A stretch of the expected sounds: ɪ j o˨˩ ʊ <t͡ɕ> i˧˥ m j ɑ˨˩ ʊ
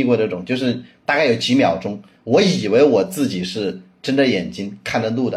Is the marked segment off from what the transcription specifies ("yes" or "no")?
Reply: no